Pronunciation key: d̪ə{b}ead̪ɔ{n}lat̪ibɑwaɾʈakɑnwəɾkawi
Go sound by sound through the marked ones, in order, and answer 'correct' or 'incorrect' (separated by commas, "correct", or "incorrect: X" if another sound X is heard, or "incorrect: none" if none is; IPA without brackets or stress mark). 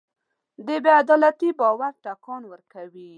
correct, incorrect: none